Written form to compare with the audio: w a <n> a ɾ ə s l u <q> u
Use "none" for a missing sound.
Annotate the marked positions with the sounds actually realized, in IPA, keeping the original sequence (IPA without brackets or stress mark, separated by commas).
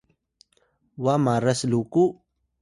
m, k